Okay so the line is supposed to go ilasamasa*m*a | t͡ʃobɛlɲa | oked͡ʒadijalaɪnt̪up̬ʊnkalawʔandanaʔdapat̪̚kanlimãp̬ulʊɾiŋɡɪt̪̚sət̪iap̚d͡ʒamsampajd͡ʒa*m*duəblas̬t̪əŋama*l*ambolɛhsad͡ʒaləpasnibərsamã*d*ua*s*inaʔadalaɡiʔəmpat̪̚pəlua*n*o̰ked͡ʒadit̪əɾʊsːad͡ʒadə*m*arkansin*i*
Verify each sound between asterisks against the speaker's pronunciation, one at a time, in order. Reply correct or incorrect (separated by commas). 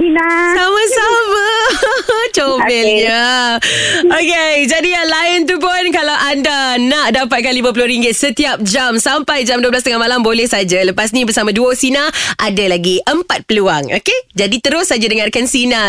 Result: correct, correct, correct, correct, correct, incorrect, incorrect, incorrect